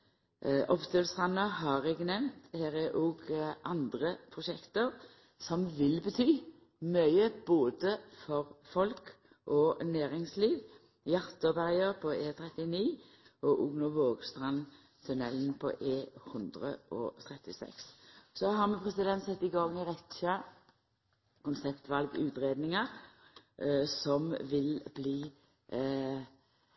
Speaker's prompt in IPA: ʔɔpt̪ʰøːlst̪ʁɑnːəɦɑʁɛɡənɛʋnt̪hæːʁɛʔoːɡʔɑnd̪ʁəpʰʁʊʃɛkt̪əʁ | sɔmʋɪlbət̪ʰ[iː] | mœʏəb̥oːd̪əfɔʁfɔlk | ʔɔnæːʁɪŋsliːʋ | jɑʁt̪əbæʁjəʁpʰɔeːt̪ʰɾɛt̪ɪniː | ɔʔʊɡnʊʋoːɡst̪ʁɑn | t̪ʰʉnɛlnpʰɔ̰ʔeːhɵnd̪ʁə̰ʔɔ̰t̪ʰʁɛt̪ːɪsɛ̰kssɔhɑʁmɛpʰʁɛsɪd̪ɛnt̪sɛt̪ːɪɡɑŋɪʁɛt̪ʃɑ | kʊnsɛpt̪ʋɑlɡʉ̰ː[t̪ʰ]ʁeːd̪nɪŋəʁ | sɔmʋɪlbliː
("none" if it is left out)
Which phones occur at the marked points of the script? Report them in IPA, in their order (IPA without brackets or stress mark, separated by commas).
yː, t̪